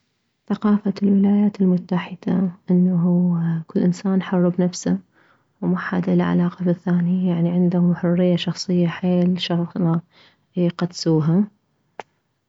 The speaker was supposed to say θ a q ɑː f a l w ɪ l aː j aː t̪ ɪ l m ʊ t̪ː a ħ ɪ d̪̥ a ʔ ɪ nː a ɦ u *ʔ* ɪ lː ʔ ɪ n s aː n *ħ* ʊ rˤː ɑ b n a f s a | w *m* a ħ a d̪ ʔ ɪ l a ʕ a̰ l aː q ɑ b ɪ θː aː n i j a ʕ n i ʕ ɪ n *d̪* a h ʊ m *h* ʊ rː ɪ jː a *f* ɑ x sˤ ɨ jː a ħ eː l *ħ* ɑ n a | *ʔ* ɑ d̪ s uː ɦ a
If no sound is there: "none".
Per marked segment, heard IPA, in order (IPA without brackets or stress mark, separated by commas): k, ħ, m, d̪, ħ, ʃ, ʃ, q